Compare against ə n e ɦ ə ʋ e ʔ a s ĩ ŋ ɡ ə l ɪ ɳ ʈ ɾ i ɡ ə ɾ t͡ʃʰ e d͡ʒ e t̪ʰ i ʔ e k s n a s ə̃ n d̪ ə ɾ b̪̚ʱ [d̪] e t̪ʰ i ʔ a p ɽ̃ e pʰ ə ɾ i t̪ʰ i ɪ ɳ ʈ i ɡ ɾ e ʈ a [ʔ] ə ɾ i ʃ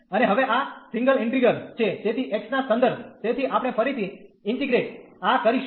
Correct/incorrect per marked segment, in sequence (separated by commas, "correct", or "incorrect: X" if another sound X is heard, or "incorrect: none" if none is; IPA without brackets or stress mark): incorrect: t̪, incorrect: k